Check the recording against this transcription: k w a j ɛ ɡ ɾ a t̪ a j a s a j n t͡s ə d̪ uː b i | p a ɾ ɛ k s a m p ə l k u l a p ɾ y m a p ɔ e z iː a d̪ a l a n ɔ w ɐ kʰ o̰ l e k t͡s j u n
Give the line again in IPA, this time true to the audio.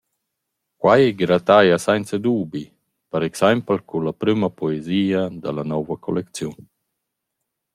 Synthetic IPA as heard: k w a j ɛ ɡ ɾ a t̪ a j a s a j n t͡s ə d̪ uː b i | p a ɾ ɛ k s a m p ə l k u l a p ɾ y m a p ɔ e z iː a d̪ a l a n ɔ v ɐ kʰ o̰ l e k t͡s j u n